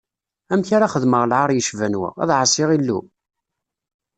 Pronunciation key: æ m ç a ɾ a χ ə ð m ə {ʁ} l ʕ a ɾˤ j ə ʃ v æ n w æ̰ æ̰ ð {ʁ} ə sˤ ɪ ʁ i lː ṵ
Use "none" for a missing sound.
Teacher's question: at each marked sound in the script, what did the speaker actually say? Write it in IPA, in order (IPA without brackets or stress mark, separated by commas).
ʁ, ʕ